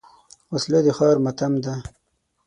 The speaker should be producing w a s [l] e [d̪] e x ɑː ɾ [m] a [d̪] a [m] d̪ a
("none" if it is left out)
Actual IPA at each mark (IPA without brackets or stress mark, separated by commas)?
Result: l, d̪, m, t̪, m